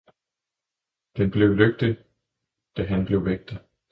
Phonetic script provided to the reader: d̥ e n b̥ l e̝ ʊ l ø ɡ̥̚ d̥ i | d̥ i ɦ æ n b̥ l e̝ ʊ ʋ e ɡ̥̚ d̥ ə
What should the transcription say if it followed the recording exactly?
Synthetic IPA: d̥ e n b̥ l e̝ ʊ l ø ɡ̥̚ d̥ i | d̥ æ ɦ æ n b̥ l e̝ ʊ ʋ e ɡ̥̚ d̥ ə

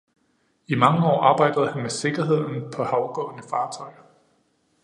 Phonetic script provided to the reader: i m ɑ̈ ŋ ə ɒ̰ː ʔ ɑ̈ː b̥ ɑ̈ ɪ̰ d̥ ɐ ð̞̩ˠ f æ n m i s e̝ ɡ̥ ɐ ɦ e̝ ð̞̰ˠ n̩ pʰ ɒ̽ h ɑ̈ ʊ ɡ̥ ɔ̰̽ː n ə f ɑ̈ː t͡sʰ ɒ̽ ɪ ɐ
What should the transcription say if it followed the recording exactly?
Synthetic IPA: i m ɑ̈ ŋ ə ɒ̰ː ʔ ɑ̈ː b̥ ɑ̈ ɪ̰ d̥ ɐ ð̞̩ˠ h æ n m e s e̝ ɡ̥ ɐ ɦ e̝ ð̞̰ˠ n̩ pʰ ɒ̽ h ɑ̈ ʊ ɡ̥ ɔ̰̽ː n ə f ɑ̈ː t͡sʰ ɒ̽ ɪ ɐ

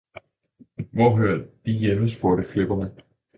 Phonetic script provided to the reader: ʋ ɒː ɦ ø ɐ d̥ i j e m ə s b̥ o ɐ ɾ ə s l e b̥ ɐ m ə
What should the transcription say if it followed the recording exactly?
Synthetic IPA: ʋ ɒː ɦ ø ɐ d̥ i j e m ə s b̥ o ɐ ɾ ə f l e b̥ ɐ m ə

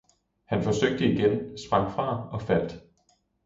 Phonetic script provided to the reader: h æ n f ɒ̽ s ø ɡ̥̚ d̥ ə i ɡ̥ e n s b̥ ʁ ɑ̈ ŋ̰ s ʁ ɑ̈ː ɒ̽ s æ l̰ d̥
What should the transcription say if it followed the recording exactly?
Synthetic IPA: h æ n f ɒ̽ s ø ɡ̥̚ d̥ ə i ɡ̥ e n s b̥ ʁ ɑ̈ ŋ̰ f ʁ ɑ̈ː ɒ̽ f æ l̰ d̥

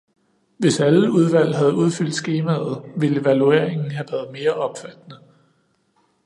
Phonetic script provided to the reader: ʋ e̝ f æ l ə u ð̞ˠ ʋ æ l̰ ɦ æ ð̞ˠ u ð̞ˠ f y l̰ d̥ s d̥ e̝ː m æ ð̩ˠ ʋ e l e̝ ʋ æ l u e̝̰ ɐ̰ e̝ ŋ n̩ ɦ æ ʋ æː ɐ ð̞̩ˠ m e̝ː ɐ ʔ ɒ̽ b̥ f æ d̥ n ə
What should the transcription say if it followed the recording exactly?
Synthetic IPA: ʋ e̝ s æ l ə u ð̞ˠ ʋ æ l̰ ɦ æ ð̞ˠ u ð̞ˠ f y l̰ d̥ s ɡ̥ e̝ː m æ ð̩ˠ ʋ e l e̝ ʋ æ l u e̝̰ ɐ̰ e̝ ŋ n̩ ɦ æ ʋ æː ɐ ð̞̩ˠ m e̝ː ɐ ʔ ɒ̽ b̥ f æ d̥ n ə

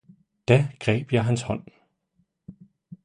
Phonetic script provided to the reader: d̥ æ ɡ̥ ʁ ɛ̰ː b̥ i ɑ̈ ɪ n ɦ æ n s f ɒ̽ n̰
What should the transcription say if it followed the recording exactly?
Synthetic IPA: d̥ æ ɡ̥ ʁ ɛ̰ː b̥ j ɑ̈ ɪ ɦ æ n s h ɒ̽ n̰

